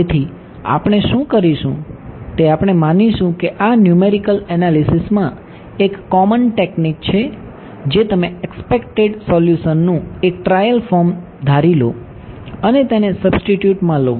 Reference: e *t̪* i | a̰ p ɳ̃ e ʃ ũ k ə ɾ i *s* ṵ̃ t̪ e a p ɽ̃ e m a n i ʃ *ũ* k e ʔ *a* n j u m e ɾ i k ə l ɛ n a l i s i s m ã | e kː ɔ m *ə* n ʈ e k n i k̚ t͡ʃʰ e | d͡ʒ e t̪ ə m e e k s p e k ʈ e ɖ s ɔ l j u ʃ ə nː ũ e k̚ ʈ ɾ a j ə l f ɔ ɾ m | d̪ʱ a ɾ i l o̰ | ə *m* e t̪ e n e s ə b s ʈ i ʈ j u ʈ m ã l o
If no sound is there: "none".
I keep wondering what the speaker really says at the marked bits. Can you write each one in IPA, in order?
t̪ʰ, ʃ, ũ, a, ə, n

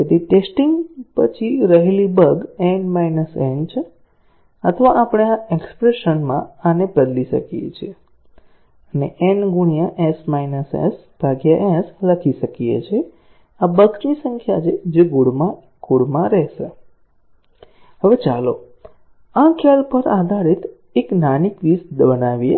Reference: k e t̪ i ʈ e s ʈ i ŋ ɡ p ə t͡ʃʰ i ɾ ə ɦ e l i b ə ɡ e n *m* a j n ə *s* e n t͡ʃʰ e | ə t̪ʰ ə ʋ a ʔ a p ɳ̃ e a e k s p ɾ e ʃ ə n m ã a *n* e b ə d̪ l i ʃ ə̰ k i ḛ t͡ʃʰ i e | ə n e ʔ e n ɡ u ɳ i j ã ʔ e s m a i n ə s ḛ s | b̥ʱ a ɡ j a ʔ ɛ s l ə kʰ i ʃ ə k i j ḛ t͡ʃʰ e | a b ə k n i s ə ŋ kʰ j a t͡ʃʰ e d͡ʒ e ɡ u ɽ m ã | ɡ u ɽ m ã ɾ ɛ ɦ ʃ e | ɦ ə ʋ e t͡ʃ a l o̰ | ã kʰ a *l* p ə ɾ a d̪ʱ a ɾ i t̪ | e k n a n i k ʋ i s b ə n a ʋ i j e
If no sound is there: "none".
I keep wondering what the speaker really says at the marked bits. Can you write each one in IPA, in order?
m, s, n, l

